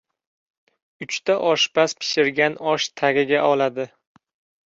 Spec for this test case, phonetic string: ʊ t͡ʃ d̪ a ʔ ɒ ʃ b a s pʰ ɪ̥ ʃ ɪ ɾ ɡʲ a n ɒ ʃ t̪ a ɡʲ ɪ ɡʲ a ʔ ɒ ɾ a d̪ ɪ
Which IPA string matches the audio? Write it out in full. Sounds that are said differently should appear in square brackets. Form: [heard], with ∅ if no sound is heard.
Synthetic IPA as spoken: ʊ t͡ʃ [t̪] a ʔ ɒ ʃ b a s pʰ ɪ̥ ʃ ɪ ɾ ɡʲ a n ɒ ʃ [t̪ʰ] a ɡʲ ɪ ɡʲ a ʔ ɒ [l] a d̪ ɪ